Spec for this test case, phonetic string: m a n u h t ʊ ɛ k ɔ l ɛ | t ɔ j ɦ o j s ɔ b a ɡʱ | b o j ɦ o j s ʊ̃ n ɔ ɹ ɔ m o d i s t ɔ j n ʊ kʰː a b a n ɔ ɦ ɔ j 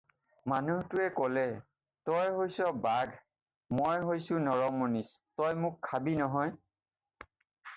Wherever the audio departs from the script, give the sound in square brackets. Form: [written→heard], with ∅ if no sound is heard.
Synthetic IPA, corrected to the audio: m a n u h t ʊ ɛ k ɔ l ɛ | t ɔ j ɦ o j s ɔ b a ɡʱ | [b→m] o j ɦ o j s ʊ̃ n ɔ ɹ ɔ m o [d→n] i s t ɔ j [n→m] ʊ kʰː a b [a→i] n ɔ ɦ ɔ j